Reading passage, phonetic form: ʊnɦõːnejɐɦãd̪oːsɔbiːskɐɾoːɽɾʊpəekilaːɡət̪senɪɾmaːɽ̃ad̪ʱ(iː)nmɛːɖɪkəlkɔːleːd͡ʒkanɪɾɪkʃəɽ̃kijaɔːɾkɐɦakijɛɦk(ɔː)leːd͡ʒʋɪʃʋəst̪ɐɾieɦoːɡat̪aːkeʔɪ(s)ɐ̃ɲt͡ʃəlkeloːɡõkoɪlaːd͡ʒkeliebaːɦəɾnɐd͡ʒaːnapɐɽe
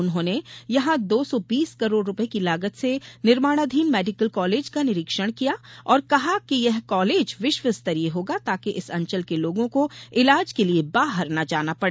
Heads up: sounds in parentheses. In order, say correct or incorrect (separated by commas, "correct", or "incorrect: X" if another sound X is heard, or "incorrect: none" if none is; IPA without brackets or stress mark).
correct, correct, correct